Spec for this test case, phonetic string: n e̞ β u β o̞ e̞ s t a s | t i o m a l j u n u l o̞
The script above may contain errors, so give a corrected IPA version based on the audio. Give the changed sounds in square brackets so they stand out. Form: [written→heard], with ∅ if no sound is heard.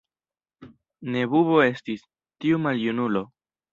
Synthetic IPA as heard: n e̞ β u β o̞ e̞ s t [a→i] s | t i [o→u] m a l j u n u l o̞